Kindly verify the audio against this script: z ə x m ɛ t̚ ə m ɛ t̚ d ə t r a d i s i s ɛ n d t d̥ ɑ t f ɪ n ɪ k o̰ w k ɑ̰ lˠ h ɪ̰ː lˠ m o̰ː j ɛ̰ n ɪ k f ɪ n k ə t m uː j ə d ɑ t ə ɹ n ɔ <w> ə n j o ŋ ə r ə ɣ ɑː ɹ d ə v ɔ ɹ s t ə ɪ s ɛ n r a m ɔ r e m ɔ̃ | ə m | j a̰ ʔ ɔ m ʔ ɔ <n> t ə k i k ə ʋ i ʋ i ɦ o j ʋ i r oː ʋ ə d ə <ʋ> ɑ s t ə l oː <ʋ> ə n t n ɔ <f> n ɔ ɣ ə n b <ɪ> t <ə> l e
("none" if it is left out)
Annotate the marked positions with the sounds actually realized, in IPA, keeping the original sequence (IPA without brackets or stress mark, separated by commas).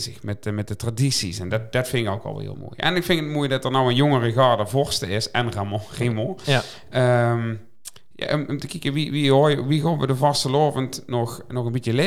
w, m, v, v, x, i, ə